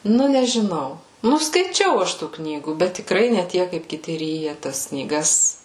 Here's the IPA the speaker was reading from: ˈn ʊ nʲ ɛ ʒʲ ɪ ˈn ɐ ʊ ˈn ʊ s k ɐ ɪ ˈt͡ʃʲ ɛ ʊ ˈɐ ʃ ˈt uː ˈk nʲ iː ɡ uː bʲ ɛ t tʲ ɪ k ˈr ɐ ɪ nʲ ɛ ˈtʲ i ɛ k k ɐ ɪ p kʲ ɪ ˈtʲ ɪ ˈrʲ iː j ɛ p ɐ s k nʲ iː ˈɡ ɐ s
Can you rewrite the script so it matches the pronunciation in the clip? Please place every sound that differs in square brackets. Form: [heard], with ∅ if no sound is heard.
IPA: ˈn ʊ nʲ ɛ ʒʲ ɪ ˈn ɐ ʊ ˈn ʊ s k ɐ ɪ ˈt͡ʃʲ ɛ ʊ ˈɐ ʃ ˈt uː ˈk nʲ iː ɡ uː bʲ ɛ t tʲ ɪ k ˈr ɐ ɪ nʲ ɛ ˈtʲ i ɛ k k ɐ ɪ p kʲ ɪ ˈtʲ ɪ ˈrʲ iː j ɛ [t] ɐ s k nʲ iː ˈɡ ɐ s